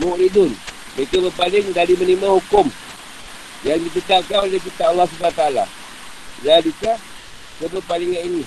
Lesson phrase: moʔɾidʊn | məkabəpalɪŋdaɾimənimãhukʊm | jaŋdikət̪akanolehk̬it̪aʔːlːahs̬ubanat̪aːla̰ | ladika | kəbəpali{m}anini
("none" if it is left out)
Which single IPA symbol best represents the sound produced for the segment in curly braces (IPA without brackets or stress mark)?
ŋ